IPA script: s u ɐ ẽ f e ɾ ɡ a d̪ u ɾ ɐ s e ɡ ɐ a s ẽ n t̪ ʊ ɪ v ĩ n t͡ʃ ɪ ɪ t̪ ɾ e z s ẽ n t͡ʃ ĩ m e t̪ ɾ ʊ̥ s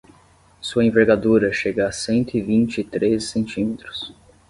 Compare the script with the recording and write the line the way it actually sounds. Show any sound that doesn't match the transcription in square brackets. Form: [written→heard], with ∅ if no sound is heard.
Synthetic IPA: s u ɐ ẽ [f→v] e ɾ ɡ a d̪ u ɾ ɐ [s→ʃ] e ɡ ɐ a s ẽ n t̪ ʊ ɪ v ĩ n t͡ʃ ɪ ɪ t̪ ɾ e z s ẽ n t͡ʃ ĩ m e t̪ ɾ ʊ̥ s